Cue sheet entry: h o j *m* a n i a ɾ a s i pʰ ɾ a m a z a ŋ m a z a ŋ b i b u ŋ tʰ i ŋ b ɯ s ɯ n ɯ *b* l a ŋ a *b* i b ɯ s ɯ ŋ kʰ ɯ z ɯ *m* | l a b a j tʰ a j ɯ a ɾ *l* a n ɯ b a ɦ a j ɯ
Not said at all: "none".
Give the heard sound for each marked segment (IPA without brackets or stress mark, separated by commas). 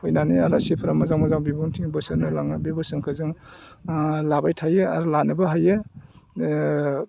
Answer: n, none, b, ŋ, l